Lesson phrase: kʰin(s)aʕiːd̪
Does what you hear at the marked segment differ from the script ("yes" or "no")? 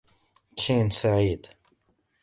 no